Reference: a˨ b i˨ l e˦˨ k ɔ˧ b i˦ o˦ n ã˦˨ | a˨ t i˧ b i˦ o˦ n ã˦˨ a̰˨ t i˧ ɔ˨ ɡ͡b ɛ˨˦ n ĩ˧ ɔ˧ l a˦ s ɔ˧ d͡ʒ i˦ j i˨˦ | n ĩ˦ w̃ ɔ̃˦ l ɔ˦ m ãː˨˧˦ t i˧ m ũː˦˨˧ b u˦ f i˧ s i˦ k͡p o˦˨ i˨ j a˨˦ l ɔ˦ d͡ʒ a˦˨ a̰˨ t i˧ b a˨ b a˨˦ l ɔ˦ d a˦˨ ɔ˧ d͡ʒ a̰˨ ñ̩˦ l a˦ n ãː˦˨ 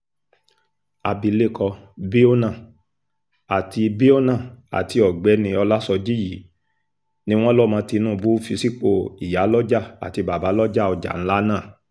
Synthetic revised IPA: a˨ b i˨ l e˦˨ k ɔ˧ b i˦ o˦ n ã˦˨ | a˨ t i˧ b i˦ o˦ n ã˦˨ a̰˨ t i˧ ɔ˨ ɡ͡b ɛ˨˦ n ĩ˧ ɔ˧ l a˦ s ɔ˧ d͡ʒ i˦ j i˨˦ | n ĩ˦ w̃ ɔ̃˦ l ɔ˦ m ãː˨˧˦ t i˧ n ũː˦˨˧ b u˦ f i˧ s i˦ k͡p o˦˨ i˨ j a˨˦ l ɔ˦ d͡ʒ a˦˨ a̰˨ t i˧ b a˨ b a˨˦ l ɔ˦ d͡ʒ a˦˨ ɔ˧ d͡ʒ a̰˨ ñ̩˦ l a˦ n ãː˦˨